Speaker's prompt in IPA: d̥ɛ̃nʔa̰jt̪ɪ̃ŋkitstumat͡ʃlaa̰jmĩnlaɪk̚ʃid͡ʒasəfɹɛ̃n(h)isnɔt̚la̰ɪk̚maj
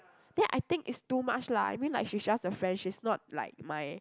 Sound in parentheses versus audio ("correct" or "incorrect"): incorrect